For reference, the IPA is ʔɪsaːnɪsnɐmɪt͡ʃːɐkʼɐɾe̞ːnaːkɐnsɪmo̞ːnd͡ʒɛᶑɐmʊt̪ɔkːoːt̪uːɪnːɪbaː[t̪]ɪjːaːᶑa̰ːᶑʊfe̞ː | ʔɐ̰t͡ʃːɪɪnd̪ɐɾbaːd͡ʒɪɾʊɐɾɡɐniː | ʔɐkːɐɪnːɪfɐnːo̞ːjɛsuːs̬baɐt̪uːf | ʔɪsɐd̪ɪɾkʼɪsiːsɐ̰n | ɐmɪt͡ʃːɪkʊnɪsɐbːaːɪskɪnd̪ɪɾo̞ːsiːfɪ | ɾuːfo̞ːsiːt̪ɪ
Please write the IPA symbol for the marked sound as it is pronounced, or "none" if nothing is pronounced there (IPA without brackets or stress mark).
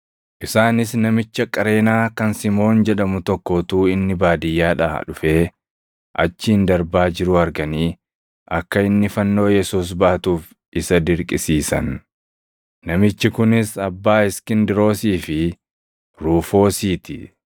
d̪